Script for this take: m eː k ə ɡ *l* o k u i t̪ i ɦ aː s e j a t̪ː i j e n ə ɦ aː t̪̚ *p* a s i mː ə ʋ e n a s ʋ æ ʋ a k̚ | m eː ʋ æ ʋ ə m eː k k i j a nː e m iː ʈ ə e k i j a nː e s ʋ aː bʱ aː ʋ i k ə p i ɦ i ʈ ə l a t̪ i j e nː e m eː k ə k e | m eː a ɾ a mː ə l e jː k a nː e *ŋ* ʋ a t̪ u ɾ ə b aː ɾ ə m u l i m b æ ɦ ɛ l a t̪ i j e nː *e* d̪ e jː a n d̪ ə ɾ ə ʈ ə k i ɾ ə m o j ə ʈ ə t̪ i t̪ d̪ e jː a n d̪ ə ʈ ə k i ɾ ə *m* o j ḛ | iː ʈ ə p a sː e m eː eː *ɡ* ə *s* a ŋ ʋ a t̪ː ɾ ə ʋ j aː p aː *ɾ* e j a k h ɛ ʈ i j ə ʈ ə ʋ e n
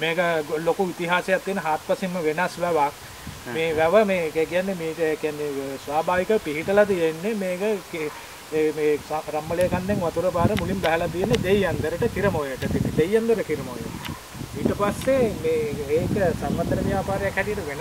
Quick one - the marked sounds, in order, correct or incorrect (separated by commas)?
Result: correct, correct, correct, correct, correct, incorrect, correct, correct